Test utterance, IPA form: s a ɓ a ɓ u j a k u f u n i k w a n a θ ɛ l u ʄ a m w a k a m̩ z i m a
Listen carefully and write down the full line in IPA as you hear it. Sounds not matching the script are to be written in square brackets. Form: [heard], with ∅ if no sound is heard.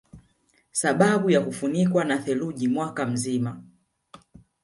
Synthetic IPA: s a ɓ a ɓ u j a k u f u n i k w a n a θ ɛ l u ʄ [i] m w a k a m̩ z i m a